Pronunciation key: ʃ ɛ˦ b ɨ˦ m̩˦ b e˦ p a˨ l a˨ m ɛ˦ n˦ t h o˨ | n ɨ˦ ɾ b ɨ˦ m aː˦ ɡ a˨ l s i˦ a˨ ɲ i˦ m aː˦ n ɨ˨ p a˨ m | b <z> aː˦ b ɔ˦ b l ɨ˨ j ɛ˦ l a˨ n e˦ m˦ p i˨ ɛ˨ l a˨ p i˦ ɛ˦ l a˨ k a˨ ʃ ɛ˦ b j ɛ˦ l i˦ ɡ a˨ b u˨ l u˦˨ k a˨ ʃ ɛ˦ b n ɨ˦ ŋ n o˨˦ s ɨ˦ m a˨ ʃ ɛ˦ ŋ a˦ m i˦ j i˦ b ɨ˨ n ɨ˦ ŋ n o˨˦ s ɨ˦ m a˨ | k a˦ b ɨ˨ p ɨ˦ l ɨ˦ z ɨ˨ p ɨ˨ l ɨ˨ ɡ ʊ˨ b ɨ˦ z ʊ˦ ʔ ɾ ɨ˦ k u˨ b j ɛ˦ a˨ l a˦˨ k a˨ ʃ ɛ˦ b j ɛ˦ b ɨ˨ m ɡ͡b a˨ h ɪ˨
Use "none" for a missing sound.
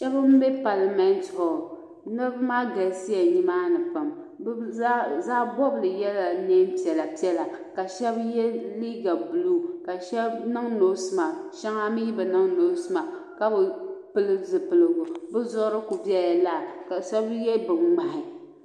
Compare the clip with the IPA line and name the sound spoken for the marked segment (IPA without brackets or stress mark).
z